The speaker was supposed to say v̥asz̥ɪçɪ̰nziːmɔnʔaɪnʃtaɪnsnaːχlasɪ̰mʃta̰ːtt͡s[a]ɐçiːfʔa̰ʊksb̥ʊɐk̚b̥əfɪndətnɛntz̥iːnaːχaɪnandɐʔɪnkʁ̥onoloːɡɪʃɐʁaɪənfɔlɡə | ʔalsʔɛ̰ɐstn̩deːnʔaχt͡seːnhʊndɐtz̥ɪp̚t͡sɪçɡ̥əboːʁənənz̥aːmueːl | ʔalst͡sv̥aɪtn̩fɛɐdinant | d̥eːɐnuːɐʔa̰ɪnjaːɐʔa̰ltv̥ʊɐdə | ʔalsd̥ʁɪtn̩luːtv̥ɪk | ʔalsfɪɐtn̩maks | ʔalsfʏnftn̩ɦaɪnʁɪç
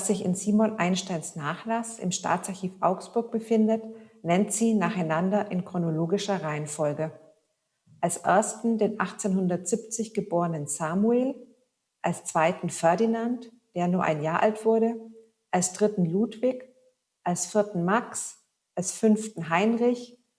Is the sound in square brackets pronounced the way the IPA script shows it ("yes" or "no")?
yes